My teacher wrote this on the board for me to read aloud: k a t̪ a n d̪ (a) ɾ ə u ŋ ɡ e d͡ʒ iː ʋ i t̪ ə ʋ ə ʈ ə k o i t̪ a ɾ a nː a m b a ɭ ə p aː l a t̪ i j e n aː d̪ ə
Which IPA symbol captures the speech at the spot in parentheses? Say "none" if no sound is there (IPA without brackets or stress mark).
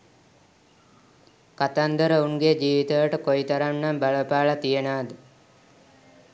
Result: ə